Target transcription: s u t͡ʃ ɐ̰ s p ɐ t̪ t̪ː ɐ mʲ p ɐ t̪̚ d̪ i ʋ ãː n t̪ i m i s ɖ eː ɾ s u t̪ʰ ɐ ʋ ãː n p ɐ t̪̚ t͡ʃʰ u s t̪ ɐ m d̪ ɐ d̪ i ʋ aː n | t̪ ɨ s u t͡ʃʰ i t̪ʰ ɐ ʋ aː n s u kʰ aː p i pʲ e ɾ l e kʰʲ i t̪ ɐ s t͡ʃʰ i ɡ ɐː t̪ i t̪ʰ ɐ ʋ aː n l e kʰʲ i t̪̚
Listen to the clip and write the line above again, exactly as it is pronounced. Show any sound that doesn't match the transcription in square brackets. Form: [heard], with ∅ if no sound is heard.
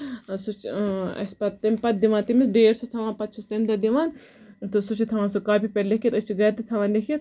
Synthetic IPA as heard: s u t͡ʃ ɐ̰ s p ɐ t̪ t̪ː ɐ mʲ p ɐ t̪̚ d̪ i ʋ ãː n t̪ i m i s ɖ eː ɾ s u t̪ʰ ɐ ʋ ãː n p ɐ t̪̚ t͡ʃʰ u s t̪ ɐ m d̪ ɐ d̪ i ʋ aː n | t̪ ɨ s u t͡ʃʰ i t̪ʰ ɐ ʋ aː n s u [k] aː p i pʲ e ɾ l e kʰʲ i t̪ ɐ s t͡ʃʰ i ɡ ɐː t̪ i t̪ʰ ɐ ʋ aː n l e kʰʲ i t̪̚